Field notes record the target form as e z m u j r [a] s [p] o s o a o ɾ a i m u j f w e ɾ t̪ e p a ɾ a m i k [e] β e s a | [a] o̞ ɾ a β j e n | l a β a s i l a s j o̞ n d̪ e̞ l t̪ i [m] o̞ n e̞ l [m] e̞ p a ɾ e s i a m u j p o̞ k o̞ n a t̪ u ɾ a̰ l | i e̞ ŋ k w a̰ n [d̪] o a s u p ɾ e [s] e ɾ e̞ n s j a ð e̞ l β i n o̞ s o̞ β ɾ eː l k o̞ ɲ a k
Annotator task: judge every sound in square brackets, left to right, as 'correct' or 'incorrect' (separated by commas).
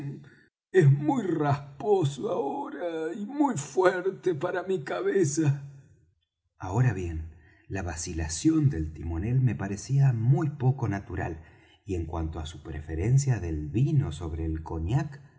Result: correct, correct, incorrect, correct, correct, correct, incorrect, incorrect